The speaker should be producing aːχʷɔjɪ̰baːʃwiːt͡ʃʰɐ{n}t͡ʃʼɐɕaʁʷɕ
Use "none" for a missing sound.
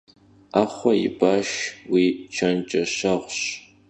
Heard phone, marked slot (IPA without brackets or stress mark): n